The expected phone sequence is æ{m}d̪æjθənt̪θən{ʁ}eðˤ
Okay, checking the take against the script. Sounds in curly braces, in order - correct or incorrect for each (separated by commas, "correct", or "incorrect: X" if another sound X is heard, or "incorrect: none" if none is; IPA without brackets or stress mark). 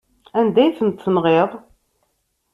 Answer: incorrect: n, correct